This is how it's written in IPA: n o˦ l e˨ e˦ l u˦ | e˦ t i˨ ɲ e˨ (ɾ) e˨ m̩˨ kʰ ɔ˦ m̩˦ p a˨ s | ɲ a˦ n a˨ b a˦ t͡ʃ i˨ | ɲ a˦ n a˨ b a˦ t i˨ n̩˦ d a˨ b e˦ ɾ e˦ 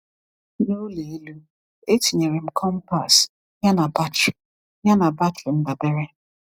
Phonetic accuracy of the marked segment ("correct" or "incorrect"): correct